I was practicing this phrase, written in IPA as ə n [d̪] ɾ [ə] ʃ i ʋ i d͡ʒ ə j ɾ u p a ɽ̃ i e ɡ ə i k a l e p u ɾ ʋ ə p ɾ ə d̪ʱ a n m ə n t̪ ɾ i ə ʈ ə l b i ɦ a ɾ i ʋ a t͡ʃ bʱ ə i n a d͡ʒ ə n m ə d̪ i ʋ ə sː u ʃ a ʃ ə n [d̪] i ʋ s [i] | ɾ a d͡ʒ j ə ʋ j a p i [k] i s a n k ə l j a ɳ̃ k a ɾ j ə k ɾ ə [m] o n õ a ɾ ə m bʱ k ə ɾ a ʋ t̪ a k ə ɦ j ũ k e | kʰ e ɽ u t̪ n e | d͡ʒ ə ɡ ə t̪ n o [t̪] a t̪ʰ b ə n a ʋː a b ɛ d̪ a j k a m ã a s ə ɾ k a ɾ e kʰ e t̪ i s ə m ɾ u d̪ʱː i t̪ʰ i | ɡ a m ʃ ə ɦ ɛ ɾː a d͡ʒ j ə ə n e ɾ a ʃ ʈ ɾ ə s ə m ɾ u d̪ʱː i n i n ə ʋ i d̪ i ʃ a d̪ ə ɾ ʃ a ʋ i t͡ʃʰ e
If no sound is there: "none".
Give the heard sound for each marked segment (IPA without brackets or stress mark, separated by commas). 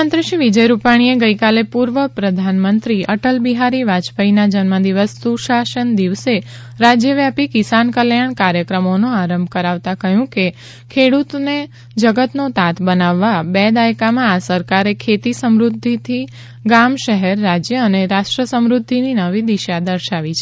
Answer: t̪, ə, d̪, e, k, m, t̪